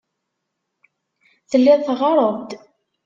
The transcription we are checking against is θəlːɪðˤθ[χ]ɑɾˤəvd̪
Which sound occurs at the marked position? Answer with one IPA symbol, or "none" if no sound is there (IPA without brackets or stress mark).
ʁ